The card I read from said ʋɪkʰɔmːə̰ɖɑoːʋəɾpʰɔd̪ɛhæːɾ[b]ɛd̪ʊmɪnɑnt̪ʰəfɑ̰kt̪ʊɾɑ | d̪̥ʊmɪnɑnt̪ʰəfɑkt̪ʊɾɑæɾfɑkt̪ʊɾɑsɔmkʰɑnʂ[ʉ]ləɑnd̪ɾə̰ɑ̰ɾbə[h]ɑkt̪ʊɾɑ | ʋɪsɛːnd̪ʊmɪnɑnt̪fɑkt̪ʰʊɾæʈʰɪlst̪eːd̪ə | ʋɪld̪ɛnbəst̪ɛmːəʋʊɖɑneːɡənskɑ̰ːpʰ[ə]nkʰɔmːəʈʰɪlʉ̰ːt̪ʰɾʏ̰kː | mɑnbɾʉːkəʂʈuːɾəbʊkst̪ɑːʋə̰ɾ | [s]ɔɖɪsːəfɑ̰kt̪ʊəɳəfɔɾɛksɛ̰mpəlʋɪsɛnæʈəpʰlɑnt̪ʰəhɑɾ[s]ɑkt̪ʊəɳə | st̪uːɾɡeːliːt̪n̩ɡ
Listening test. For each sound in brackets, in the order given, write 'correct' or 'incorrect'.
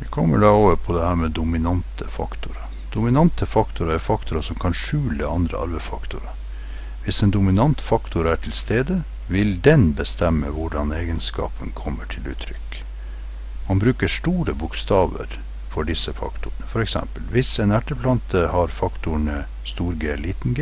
incorrect: m, incorrect: ʉː, incorrect: f, correct, incorrect: f, incorrect: f

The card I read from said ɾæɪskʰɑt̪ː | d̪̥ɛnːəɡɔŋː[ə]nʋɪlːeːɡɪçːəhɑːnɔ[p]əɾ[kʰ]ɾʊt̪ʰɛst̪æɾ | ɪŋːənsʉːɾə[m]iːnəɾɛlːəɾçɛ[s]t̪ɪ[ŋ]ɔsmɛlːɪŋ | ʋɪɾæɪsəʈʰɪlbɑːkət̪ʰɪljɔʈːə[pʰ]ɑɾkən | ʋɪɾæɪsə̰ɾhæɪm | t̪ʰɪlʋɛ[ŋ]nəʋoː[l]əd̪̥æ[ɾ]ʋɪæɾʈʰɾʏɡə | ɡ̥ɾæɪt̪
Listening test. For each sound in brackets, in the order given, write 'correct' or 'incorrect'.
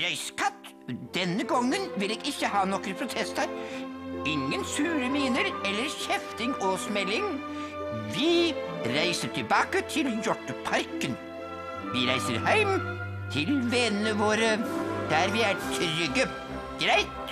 correct, incorrect: k, incorrect: pʰ, correct, incorrect: f, correct, correct, incorrect: n, incorrect: ɾ, correct

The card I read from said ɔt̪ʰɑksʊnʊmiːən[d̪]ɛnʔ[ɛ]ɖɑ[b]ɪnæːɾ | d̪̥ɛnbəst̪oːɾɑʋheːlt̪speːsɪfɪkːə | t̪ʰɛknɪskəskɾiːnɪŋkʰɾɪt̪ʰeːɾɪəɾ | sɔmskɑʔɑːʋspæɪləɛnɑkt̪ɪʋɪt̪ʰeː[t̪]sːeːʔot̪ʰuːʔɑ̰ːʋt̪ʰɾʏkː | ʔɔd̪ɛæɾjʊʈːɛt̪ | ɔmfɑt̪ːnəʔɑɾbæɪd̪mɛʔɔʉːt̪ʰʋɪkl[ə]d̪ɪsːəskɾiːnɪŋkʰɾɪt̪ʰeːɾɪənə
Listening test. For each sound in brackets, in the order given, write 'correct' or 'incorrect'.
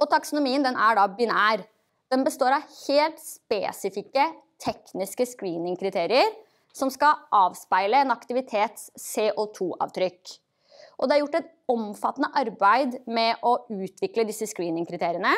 correct, incorrect: æ, correct, correct, correct

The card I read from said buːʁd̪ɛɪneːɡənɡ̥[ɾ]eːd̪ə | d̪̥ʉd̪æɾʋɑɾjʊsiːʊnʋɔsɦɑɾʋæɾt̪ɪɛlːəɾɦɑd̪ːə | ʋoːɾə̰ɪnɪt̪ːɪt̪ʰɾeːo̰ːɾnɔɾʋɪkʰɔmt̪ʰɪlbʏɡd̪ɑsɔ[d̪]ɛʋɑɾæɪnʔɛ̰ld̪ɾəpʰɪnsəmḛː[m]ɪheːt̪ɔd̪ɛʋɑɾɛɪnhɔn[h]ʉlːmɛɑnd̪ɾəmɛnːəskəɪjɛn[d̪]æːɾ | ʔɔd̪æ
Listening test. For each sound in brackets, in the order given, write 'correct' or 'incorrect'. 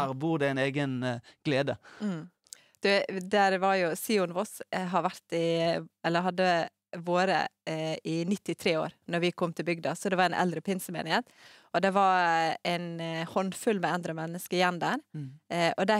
incorrect: l, correct, incorrect: n, incorrect: f, correct

